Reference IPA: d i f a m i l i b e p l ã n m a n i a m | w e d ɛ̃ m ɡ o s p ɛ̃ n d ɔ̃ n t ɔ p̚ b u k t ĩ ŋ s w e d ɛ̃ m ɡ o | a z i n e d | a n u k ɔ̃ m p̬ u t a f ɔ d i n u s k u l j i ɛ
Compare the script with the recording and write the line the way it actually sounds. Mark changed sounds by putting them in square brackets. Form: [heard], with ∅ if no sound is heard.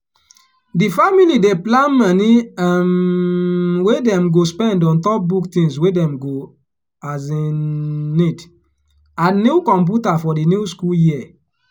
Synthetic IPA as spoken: d i f a m i l i [d] e p l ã n m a n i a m | w e d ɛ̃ m ɡ o s p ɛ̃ n d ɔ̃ n t ɔ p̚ b u k t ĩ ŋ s w e d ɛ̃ m ɡ o | a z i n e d | a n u k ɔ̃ m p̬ u t a f ɔ d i n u s k u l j i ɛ

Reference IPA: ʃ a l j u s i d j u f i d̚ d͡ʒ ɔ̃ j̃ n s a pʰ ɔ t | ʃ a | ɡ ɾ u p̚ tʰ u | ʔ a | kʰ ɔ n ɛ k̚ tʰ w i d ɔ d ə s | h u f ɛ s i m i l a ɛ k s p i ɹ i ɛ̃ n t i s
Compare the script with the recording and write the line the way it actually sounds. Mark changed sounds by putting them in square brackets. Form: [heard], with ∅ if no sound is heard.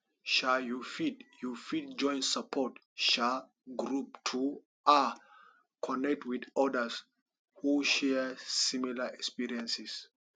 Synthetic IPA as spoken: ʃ a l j u [f] i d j u f i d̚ d͡ʒ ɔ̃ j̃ n s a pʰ ɔ t | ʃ a | ɡ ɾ u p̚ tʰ u | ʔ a | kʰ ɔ n ɛ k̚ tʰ w i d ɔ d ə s | h u [ʃ] ɛ s i m i l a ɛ k s p i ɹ i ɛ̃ n [s] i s

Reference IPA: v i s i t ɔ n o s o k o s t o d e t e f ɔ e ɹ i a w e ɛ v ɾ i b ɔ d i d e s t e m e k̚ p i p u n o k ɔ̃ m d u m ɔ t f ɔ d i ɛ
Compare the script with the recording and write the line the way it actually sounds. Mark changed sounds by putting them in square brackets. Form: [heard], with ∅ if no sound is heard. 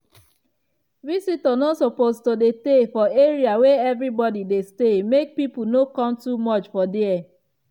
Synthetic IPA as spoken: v i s i t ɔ n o s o [p] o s t o d e t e f ɔ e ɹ i a w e ɛ v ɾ i b ɔ d i d e s t e m e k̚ p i p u n o k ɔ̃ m [t] u m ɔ [t͡ʃ] f ɔ d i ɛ

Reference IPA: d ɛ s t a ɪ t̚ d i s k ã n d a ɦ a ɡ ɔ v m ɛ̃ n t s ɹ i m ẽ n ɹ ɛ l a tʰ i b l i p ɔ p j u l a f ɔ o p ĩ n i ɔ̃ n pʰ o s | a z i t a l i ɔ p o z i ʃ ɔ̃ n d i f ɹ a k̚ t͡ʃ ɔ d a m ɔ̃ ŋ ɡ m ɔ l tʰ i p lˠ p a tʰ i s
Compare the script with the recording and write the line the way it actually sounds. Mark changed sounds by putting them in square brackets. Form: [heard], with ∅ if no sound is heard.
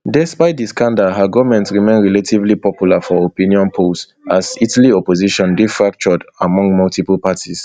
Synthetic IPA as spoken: d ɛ s [p] a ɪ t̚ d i s k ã n d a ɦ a ɡ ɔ v m ɛ̃ n t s ɹ i m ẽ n ɹ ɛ l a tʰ i [v] l i p ɔ p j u l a f ɔ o p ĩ n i ɔ̃ n pʰ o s | a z i t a l i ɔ p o z i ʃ ɔ̃ n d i f ɹ a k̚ t͡ʃ ɔ d a m ɔ̃ ŋ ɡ m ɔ l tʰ i p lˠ p a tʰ i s

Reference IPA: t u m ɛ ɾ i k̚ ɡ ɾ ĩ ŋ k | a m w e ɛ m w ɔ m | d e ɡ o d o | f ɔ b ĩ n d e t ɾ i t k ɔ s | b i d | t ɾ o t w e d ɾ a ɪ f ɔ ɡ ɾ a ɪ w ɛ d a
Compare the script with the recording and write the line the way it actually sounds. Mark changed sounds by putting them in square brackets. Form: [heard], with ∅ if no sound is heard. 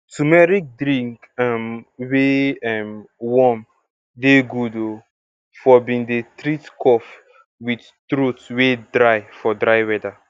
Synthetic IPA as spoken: t u m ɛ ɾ i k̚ [d] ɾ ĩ ŋ k | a m w e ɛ m w ɔ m | d e ɡ [u] d o | f ɔ b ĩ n d e t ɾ i t k ɔ [f] | [w] i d | t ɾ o t w e d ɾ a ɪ f ɔ [d] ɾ a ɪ w ɛ d a

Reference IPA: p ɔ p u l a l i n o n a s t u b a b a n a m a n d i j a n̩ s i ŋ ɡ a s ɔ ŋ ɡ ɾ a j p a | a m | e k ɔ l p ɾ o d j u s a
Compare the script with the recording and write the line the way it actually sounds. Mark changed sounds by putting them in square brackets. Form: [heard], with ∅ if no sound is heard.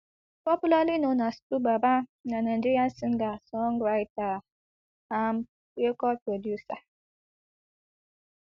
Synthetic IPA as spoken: p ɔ p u l a l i n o n a s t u b a b a n a [n] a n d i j a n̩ s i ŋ ɡ a s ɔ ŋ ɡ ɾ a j [t] a | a m | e k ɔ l p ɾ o d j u s a

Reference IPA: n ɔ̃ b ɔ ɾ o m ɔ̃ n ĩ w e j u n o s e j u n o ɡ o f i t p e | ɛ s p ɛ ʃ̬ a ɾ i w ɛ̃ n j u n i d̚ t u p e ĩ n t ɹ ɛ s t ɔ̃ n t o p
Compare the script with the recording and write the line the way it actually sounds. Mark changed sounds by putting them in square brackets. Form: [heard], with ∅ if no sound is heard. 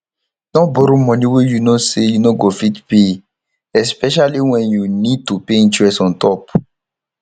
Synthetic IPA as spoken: n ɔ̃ b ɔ ɾ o m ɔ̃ n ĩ w e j u n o s e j u n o ɡ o f i t p e | ɛ s p ɛ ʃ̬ a [l] i w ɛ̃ n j u n i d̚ t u p e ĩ n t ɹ ɛ s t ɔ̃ n t [ɔ] p

